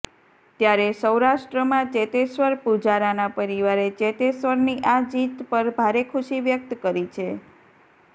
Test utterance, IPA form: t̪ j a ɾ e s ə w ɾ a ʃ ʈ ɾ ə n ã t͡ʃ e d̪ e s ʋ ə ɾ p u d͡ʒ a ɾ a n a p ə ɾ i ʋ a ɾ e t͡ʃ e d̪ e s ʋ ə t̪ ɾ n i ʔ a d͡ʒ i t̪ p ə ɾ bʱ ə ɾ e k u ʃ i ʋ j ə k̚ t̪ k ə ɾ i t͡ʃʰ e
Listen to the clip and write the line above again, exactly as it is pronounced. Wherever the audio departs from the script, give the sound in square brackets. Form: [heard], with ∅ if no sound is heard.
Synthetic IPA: t̪ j a ɾ e s ə w ɾ a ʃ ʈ ɾ ə [m] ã t͡ʃ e [t̪] e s ʋ ə ɾ p u d͡ʒ a ɾ a n a p ə ɾ i ʋ a ɾ e t͡ʃ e [t̪] e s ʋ ə [∅] ɾ n i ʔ a d͡ʒ i t̪ p ə ɾ bʱ [a] ɾ e [kʰ] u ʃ i ʋ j ə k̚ t̪ k ə ɾ i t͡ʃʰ e